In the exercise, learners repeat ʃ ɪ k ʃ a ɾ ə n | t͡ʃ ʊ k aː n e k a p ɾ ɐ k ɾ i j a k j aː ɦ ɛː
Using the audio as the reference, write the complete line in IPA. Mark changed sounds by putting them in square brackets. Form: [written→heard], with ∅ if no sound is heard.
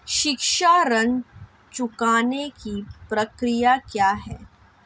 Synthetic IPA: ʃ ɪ k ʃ a ɾ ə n | t͡ʃ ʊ k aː n e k [a→i] p ɾ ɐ k ɾ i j a k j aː ɦ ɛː